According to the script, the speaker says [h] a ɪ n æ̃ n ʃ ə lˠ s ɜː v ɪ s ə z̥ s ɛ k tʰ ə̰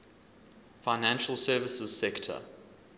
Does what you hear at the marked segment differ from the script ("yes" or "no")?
yes